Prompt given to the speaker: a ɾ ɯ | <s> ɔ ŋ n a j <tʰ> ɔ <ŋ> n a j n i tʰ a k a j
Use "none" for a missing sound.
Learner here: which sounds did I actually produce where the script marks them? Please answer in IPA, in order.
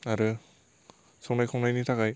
s, kʰ, ŋ

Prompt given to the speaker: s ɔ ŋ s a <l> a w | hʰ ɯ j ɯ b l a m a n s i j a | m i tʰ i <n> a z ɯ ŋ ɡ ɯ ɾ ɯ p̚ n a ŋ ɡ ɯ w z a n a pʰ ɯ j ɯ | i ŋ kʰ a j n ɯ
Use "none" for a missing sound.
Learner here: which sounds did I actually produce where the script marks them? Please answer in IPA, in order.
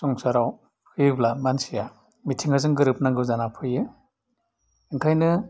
ɾ, ŋ

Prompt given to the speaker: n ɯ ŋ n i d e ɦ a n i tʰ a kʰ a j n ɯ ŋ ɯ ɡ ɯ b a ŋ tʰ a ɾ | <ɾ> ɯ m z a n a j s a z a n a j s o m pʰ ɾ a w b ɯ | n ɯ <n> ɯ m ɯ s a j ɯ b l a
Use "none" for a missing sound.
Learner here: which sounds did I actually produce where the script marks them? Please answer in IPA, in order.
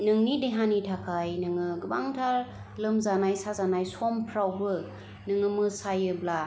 l, ŋ

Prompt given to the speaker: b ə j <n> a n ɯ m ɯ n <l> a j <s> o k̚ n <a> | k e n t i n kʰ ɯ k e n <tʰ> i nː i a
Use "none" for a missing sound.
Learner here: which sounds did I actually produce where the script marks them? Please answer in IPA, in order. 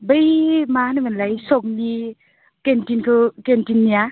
m, l, s, i, t

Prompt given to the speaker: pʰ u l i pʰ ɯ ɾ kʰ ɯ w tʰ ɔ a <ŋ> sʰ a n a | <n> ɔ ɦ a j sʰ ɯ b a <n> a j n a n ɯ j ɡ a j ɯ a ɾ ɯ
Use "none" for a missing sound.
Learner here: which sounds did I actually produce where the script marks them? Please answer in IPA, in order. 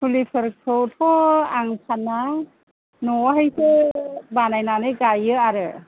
ŋ, n, n

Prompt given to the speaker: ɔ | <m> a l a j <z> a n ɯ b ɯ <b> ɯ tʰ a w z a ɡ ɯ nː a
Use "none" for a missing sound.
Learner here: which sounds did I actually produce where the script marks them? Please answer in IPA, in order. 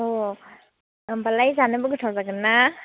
b, z, ɡ

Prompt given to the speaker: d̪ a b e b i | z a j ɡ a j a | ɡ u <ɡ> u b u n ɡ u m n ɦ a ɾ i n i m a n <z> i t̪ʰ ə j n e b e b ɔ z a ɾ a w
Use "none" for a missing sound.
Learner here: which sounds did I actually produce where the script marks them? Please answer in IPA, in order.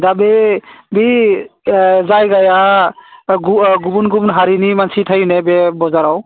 ɡ, s

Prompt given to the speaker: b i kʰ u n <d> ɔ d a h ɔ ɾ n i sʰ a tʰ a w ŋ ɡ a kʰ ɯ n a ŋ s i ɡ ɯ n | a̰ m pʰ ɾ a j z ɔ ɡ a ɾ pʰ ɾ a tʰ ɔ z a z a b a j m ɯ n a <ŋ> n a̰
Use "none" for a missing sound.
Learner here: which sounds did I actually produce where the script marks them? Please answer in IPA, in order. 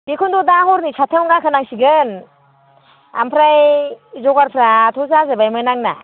d, ŋ

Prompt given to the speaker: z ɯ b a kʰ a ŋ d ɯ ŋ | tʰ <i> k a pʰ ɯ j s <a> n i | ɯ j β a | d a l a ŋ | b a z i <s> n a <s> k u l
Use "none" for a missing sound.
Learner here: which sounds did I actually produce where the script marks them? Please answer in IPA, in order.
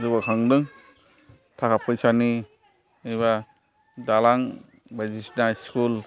a, a, s, s

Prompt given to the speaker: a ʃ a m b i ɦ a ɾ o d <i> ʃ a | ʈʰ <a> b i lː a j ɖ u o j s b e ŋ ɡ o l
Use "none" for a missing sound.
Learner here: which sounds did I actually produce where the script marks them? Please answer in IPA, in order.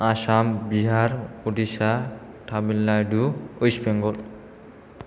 i, a

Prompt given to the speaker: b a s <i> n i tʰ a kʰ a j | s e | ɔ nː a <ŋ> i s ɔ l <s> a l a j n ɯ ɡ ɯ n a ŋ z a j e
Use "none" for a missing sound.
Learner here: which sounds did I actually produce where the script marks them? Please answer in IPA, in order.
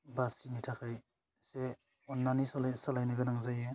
i, n, s

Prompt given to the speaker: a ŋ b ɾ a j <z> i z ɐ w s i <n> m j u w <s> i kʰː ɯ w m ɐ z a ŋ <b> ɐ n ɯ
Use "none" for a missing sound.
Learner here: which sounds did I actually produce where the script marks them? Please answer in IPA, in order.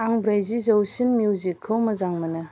z, n, z, m

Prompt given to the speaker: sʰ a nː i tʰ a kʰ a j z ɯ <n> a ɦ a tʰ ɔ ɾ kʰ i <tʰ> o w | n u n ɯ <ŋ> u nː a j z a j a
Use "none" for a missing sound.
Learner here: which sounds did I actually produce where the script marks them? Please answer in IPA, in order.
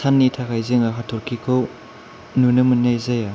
ŋ, kʰ, m

